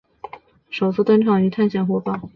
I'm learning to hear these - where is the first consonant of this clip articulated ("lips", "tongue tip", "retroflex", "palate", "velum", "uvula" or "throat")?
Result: retroflex